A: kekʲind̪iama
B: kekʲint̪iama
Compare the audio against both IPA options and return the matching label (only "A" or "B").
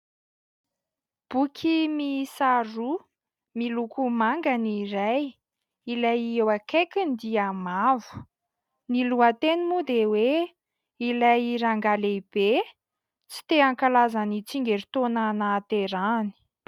A